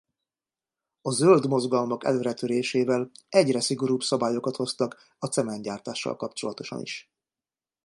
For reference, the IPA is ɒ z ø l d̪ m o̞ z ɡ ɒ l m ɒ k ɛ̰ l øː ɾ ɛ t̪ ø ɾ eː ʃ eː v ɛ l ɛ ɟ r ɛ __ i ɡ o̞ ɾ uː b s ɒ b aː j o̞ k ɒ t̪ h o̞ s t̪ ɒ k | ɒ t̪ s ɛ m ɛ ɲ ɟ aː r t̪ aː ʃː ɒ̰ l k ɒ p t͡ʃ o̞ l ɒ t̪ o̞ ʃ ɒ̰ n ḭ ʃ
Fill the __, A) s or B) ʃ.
A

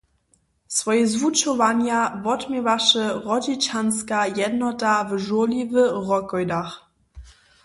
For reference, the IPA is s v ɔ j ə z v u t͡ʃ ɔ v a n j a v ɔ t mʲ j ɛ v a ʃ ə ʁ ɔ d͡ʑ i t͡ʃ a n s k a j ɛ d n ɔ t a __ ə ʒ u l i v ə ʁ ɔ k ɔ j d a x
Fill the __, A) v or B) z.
A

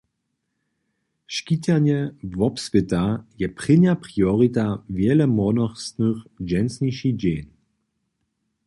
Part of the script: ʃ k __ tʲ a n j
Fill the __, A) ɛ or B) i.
B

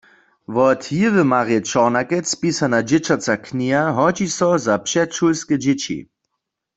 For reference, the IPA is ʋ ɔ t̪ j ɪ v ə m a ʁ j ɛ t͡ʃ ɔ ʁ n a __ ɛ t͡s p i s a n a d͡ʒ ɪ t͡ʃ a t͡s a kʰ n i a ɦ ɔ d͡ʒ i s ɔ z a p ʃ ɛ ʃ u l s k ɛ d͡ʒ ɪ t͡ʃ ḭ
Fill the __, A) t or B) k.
B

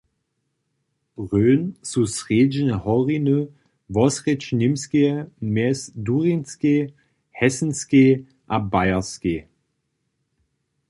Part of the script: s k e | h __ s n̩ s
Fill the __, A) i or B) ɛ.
B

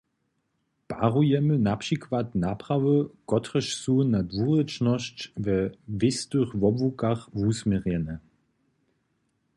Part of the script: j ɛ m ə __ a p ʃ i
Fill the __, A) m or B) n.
B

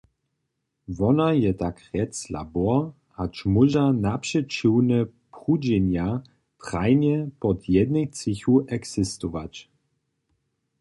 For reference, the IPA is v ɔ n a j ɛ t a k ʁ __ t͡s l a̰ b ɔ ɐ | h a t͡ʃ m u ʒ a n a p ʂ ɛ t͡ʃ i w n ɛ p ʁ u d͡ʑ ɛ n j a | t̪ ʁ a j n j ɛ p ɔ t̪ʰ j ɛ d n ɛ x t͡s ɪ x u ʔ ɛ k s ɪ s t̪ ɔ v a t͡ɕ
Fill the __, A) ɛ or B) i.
A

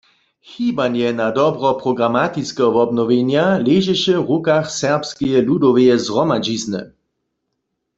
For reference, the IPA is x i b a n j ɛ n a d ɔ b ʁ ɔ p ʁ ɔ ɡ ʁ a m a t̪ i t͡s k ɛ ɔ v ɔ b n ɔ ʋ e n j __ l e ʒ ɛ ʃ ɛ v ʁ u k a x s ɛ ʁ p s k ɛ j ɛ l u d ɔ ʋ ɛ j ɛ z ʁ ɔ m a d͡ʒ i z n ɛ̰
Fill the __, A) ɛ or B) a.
B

